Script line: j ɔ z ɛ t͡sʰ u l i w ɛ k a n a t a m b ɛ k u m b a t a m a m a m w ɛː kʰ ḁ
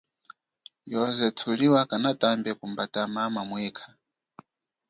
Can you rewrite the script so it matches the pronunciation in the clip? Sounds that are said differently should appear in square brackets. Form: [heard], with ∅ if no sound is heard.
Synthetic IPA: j ɔ z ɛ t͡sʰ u l i w [a] k a n a t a m b ɛ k u m b a t a m a m a m w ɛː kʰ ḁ